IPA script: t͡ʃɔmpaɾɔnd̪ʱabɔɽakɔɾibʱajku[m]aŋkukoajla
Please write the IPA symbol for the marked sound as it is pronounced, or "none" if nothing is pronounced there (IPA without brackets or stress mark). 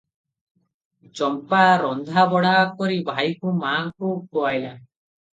m